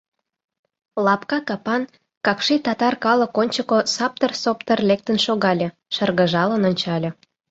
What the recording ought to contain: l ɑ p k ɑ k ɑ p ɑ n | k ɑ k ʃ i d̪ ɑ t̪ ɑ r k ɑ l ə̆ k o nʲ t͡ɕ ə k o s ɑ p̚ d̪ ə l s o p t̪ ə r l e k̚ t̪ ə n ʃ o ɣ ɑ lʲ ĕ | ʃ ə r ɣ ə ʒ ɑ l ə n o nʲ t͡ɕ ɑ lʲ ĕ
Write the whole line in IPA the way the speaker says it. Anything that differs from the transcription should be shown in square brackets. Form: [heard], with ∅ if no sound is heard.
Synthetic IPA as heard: l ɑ p k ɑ k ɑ p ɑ n | k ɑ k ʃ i [t̪] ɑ t̪ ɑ r k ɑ l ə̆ k o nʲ t͡ɕ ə k o s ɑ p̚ [t̪] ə [r] s o p t̪ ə r l e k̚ t̪ ə n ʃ o ɣ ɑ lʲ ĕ | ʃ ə r ɣ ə ʒ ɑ l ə n o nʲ t͡ɕ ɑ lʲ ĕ